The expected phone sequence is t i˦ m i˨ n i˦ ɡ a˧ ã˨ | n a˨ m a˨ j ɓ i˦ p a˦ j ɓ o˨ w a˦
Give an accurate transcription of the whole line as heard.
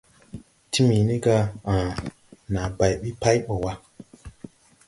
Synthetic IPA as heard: t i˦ m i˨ n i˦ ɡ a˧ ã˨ | n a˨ b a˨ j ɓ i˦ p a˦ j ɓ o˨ w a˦